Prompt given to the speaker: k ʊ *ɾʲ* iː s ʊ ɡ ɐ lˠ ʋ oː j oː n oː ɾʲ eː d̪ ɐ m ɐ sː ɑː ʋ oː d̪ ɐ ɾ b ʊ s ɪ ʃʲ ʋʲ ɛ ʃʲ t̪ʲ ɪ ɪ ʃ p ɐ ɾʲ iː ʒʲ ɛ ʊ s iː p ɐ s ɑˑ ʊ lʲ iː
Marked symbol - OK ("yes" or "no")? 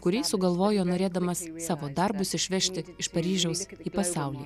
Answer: yes